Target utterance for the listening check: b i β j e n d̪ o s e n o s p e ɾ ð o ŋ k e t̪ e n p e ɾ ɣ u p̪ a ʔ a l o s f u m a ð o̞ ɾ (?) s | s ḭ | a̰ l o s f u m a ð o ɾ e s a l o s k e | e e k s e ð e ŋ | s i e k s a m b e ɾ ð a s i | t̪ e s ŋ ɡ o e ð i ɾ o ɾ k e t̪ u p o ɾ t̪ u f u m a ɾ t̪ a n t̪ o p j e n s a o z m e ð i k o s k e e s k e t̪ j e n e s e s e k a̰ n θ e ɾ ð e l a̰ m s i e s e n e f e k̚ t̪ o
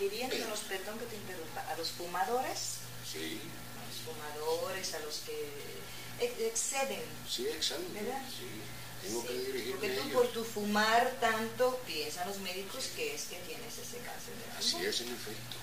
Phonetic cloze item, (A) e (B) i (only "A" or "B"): A